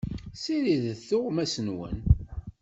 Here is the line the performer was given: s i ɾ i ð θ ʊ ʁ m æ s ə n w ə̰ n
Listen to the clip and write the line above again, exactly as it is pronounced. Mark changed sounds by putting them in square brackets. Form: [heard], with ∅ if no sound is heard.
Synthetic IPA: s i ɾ i ð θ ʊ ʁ m æ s ə n w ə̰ n

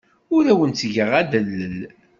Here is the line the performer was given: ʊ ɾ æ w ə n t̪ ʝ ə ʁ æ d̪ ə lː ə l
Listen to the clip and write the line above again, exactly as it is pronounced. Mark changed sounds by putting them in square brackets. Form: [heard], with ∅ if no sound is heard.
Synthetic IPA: ʊ ɾ æ w ə n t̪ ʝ ə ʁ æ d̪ ə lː ə l

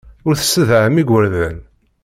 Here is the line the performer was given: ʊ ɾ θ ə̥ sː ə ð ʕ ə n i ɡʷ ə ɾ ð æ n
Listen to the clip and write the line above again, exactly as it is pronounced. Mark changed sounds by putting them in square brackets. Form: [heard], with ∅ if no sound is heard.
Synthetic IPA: ʊ ɾ θ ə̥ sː ə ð ʕ ə [m] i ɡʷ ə ɾ ð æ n

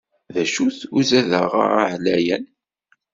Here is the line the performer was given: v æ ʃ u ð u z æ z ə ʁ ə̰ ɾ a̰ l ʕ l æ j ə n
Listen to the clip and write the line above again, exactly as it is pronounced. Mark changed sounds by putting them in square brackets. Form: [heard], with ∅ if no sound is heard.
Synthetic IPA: [ð] æ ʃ u [θ] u z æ [ð] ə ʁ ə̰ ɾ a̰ [∅] ʕ l æ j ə n

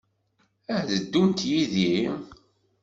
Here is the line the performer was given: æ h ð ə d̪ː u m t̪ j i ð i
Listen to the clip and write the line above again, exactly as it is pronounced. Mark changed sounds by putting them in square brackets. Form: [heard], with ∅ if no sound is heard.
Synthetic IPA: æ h ð ə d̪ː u [n] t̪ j i ð i

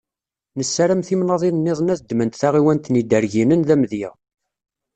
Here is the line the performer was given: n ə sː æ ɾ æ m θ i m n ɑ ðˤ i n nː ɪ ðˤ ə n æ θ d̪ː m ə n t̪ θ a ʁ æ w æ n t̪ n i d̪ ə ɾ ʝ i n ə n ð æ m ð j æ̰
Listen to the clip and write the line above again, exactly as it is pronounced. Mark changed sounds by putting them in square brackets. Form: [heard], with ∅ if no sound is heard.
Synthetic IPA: n ə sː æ ɾ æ m θ i m n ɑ ðˤ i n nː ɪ ðˤ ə n æ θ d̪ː m ə n t̪ θ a ʁ [i] w æ n t̪ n i d̪ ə ɾ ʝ i n ə n ð æ m ð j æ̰

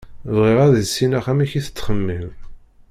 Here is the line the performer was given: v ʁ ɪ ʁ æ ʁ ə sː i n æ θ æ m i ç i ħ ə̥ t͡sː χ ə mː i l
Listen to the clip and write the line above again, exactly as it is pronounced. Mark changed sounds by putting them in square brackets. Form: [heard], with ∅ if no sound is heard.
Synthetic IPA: v ʁ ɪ ʁ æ [ð] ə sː i n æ [χ] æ m i ç i [θ] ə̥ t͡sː χ ə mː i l

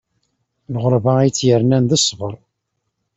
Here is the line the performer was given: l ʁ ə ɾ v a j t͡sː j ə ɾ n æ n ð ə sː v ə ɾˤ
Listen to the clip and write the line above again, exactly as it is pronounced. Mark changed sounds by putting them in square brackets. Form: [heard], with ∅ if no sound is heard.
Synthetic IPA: l ʁ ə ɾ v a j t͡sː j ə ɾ n æ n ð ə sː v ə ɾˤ

